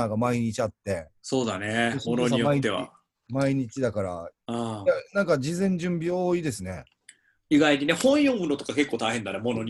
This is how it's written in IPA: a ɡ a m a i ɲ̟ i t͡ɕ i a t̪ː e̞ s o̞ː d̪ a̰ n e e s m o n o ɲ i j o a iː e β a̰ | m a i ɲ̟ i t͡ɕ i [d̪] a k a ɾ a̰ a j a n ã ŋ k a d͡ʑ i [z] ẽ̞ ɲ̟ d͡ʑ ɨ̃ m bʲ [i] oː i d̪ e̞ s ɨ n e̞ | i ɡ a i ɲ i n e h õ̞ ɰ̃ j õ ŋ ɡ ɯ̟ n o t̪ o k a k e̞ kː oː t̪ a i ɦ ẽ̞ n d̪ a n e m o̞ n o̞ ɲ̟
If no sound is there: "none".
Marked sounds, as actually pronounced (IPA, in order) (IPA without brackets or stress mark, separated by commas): d̪, z, i